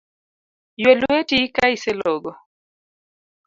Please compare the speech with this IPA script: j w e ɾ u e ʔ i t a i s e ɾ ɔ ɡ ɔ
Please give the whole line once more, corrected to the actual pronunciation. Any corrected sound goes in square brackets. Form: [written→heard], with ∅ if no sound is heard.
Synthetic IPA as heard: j w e [ɾ→l] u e [ʔ→t] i [t→k] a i s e [ɾ→l] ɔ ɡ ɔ